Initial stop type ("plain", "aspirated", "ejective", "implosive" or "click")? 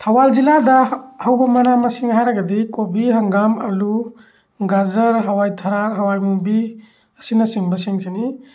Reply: aspirated